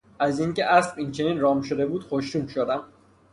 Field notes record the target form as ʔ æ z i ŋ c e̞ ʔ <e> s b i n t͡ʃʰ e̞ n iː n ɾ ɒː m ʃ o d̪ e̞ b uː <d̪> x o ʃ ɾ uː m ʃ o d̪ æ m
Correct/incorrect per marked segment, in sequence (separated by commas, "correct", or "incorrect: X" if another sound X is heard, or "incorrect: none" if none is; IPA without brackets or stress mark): incorrect: æ, correct